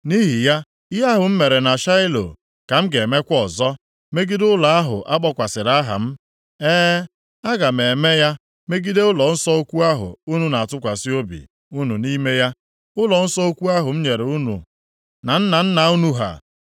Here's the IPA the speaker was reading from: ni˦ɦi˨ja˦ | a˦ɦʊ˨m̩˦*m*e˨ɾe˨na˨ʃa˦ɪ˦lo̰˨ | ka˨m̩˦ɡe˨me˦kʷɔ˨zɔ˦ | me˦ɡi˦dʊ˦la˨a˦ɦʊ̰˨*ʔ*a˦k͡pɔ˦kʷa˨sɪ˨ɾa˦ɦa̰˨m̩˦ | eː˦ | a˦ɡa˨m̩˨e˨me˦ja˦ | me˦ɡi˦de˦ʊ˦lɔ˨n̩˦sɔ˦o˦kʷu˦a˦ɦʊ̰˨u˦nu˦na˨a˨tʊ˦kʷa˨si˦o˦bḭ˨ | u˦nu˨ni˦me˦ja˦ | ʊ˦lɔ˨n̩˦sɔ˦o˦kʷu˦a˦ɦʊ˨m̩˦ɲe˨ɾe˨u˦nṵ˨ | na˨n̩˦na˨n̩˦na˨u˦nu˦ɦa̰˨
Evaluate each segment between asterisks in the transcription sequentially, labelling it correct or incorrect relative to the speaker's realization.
correct, correct

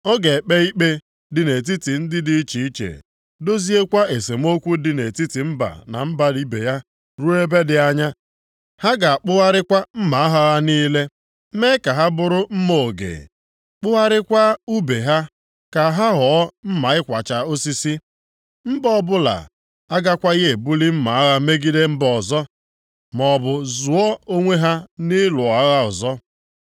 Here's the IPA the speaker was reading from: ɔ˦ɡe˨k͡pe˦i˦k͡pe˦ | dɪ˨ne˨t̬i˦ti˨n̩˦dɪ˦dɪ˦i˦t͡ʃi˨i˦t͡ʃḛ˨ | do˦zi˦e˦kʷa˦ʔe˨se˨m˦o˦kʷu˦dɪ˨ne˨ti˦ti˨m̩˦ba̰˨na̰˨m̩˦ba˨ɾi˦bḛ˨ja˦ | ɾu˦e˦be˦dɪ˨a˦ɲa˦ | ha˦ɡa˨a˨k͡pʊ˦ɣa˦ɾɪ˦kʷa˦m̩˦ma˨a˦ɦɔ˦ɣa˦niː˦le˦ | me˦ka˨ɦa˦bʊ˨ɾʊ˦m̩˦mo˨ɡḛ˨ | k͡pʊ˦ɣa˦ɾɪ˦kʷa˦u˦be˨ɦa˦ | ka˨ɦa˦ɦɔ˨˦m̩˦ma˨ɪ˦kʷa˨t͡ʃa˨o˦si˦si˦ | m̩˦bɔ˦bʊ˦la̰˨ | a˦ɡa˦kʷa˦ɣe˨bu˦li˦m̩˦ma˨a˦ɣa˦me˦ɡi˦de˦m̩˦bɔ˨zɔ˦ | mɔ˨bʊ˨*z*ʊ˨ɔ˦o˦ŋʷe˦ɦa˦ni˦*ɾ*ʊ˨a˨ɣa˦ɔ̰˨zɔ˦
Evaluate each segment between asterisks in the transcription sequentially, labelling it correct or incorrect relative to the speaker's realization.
correct, incorrect: l

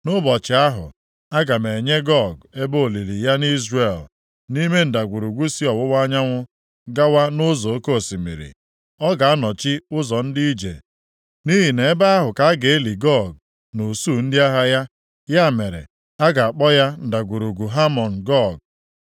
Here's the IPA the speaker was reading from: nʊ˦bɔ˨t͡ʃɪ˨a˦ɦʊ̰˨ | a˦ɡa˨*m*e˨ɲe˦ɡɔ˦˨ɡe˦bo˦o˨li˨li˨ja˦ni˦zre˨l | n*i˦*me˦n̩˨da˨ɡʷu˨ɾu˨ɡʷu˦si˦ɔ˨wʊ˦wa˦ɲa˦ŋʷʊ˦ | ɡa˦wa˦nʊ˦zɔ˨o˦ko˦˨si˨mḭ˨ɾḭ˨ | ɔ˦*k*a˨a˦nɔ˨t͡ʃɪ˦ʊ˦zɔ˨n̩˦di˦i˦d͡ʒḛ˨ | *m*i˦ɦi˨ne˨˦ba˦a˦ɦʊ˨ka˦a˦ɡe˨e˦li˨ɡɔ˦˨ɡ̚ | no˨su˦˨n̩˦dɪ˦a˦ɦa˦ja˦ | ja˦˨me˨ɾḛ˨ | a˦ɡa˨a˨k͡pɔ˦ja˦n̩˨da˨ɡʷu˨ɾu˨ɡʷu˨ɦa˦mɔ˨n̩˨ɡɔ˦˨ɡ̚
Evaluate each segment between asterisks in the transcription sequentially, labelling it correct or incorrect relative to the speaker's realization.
correct, correct, incorrect: ɡ, incorrect: n

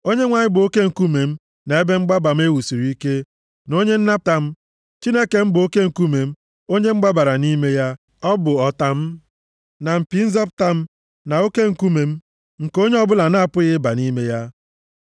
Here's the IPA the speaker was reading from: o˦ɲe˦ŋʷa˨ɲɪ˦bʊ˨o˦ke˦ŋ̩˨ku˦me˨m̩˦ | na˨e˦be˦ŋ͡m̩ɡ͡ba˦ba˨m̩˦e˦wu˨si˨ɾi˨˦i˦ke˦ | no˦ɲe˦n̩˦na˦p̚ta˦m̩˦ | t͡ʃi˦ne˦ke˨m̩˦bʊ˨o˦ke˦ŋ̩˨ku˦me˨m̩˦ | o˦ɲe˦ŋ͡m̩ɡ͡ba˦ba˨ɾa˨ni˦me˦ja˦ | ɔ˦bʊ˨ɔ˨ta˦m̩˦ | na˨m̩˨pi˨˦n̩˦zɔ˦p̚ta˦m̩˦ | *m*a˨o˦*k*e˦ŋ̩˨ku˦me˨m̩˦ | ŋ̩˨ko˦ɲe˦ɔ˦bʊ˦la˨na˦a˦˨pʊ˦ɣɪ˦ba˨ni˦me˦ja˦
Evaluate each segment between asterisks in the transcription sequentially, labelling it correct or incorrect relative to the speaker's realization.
incorrect: n, correct

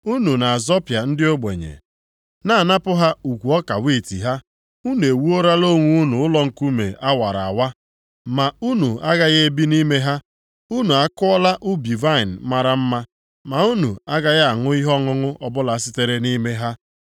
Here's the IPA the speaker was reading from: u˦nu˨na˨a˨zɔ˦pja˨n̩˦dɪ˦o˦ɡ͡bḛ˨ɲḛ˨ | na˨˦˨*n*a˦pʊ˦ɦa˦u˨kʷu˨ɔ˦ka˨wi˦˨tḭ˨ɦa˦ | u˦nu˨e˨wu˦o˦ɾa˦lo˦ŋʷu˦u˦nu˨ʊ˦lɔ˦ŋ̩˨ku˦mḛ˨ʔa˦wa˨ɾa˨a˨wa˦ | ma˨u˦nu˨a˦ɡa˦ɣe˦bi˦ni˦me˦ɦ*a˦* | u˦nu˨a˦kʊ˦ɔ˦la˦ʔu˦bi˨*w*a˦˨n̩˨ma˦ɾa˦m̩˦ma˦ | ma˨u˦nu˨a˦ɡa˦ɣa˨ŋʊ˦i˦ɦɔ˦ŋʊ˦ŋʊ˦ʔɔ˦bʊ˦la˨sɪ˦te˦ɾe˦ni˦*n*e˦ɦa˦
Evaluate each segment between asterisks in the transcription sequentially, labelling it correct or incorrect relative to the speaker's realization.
correct, correct, incorrect: v, incorrect: m

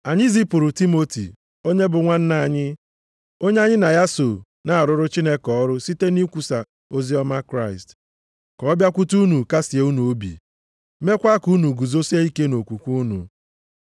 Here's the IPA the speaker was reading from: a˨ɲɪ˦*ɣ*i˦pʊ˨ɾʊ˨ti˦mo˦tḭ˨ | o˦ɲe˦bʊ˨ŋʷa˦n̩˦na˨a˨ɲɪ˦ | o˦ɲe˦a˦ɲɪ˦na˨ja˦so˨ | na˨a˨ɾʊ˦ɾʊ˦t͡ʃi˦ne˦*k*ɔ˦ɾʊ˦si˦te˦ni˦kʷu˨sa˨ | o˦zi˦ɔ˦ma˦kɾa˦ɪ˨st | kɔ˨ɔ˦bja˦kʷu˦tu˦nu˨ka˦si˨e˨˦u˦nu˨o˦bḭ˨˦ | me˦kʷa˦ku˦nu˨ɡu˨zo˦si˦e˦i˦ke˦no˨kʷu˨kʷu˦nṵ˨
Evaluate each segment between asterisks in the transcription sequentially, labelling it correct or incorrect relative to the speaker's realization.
incorrect: z, correct

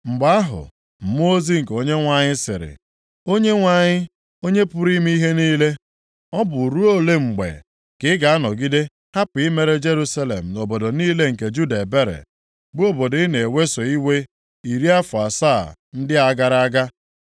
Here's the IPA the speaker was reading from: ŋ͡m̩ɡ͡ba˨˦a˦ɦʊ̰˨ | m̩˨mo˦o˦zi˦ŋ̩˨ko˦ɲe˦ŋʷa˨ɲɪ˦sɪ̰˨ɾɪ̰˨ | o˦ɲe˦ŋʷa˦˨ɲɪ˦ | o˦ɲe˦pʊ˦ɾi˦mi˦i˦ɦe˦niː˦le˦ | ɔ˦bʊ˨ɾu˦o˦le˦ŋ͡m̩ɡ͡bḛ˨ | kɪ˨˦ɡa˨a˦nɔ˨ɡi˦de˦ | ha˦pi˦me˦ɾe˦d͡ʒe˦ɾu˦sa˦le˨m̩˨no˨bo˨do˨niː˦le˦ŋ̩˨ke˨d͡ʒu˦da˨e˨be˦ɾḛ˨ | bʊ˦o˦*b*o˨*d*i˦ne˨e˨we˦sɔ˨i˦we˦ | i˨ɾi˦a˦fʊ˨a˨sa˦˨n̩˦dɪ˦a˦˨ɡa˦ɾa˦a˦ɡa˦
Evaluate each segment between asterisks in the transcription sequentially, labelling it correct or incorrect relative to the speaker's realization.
correct, correct

